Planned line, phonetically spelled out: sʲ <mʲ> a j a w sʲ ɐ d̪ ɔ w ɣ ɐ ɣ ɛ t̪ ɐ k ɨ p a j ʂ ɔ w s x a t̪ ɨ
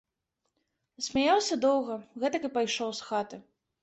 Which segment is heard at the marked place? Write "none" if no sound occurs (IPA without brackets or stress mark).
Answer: mʲ